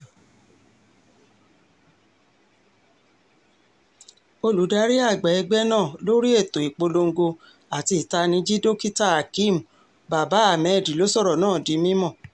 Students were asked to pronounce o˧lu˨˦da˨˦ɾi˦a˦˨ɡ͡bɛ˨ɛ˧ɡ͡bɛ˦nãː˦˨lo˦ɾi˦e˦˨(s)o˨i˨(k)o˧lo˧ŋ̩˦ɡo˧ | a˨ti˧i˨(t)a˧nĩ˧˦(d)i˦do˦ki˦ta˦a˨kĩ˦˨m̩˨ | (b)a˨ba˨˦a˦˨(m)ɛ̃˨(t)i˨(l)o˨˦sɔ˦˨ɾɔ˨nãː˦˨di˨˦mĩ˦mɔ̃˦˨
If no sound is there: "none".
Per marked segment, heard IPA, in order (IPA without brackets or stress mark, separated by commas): t, k͡p, t, d͡ʒ, b, m, d, l